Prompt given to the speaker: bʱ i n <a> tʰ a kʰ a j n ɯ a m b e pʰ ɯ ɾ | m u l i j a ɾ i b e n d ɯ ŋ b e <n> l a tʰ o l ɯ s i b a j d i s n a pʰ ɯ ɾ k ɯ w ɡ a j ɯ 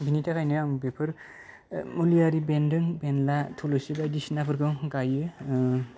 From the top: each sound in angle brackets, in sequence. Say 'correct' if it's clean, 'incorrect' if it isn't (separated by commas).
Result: incorrect, correct